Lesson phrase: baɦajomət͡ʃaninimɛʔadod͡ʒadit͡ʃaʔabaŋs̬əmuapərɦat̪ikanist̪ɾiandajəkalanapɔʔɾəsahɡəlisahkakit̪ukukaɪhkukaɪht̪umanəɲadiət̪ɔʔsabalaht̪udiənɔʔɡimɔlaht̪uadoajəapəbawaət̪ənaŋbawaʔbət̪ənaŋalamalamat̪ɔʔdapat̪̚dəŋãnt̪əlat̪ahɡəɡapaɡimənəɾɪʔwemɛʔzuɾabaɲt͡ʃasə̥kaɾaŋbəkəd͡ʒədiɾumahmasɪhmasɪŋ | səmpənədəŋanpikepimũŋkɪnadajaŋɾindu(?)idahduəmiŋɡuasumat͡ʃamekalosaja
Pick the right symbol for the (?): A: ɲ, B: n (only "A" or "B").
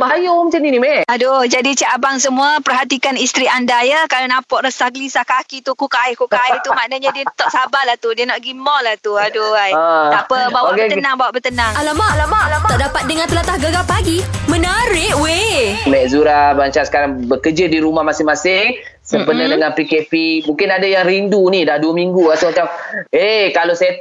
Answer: B